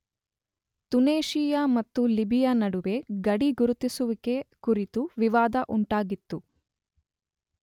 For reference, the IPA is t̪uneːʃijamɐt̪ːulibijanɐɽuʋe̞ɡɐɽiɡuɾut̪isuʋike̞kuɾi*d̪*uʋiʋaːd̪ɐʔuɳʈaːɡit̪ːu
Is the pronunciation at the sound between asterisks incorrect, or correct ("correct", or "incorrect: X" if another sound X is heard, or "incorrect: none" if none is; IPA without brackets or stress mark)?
incorrect: t̪